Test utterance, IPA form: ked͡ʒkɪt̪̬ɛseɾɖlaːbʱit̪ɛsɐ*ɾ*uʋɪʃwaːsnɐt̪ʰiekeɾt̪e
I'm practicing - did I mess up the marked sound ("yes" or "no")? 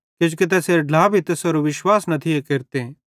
no